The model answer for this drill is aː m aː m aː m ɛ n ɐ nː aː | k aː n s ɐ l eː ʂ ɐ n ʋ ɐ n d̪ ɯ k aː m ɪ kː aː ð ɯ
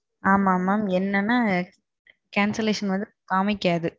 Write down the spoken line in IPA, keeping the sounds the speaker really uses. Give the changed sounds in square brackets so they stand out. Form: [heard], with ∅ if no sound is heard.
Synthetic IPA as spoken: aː m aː m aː m ɛ [nː] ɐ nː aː | k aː n s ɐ l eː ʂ ɐ n ʋ ɐ n d̪ ɯ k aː m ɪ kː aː ð ɯ